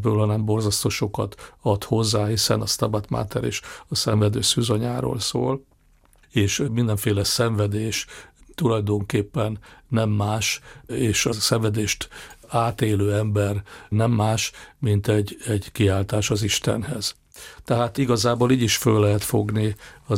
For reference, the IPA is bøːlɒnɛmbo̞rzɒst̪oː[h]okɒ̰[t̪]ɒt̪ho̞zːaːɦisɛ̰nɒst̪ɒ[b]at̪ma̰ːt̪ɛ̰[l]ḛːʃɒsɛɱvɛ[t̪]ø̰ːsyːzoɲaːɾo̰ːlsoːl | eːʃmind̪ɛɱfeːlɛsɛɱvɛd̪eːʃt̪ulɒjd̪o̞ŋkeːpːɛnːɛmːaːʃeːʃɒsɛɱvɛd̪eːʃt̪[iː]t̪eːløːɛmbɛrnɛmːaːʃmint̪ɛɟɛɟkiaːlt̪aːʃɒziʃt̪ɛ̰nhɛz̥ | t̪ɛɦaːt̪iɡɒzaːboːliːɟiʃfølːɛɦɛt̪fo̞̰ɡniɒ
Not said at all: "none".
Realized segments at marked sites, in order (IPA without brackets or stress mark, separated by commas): ʃ, t̪, b, ɾ, d̪, aː